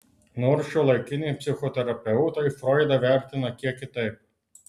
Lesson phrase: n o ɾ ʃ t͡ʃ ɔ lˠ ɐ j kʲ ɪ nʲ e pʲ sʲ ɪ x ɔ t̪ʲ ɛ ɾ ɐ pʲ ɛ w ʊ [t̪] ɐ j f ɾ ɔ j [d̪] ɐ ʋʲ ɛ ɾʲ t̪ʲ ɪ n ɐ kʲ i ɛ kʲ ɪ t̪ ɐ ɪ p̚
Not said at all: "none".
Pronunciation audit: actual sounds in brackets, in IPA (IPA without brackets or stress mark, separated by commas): t̪, d̪